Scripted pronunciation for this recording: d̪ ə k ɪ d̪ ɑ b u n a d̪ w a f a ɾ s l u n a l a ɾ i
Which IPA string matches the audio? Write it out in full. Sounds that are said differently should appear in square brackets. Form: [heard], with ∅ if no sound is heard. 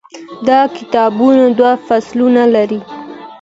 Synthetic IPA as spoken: d̪ [ɑ] k ɪ [t̪] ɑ b u n a d̪ w a f a [∅] s l u n a l a ɾ i